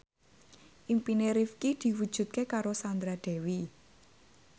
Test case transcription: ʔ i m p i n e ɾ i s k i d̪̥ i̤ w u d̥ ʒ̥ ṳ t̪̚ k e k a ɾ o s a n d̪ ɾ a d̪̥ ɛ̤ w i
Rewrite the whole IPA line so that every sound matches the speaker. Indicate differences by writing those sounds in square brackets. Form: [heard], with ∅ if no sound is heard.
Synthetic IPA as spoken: ʔ i m p i n e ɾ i [f] k i d̪̥ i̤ w u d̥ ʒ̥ ṳ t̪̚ k e k a ɾ o s a n d̪ ɾ a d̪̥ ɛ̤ w i